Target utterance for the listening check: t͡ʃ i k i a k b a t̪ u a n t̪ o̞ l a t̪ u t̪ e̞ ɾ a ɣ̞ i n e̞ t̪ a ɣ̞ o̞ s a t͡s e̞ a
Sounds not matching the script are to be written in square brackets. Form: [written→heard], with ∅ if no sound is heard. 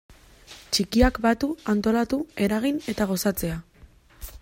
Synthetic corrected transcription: t͡ʃ i k i a k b a t̪ u a n t̪ o̞ l a t̪ u [t̪→∅] e̞ ɾ a ɣ̞ i n e̞ t̪ a ɣ̞ o̞ s a t͡s e̞ a